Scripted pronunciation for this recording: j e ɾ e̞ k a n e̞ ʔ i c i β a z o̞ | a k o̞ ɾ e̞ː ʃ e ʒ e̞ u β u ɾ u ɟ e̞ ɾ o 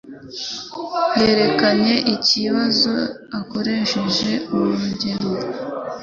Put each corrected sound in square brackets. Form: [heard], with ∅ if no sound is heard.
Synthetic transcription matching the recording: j e ɾ e̞ k a [ɲ] e̞ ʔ i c i β a z o̞ | a k o̞ ɾ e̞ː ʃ e ʒ e̞ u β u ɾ u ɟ e̞ ɾ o